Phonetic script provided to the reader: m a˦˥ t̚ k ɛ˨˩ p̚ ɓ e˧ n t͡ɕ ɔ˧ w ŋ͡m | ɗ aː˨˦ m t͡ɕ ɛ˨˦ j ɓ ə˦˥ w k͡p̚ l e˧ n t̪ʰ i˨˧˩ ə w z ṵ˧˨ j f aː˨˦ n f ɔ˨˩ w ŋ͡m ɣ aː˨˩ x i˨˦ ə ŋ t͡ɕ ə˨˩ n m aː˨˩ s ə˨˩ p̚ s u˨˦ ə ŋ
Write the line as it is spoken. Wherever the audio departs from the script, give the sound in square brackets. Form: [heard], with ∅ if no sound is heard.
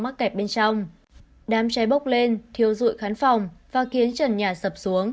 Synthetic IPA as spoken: m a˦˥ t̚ k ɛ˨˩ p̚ ɓ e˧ n t͡ɕ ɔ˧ w ŋ͡m | ɗ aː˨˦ m t͡ɕ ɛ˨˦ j ɓ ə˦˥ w k͡p̚ l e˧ n t̪ʰ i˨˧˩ ə w z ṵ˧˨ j [x] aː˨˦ n f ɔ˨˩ w ŋ͡m [v] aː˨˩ x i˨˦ ə [n] t͡ɕ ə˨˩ n [ɲ] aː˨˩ s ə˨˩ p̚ s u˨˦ ə ŋ